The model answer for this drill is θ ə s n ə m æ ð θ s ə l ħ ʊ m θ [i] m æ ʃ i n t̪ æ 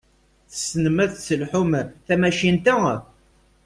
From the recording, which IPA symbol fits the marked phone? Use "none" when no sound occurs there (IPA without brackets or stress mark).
æ